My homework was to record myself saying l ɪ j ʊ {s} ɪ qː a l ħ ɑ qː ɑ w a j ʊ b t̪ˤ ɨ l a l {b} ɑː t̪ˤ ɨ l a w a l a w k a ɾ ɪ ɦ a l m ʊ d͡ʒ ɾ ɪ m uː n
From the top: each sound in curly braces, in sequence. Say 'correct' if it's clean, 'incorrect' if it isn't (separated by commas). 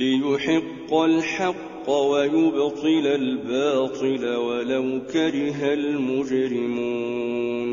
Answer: incorrect, correct